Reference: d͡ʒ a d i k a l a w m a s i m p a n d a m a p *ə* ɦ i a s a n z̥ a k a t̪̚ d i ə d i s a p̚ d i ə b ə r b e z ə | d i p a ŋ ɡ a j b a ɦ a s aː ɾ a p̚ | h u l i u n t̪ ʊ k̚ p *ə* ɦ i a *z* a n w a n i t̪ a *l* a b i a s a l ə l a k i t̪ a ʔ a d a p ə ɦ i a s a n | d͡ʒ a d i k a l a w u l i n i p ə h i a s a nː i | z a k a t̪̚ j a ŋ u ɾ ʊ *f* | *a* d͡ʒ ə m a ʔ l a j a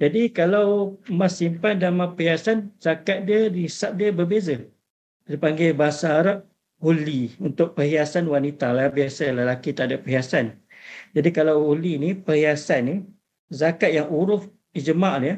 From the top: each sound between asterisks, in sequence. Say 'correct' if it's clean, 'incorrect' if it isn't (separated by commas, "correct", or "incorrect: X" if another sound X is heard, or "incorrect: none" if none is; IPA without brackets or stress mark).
correct, correct, incorrect: s, correct, correct, incorrect: i